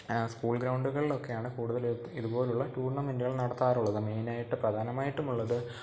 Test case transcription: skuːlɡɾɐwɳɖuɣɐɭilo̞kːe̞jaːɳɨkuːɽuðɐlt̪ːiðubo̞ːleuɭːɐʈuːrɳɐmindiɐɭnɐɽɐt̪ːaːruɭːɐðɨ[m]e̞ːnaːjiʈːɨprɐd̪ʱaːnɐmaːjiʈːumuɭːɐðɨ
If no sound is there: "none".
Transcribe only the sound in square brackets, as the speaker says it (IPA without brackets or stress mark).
m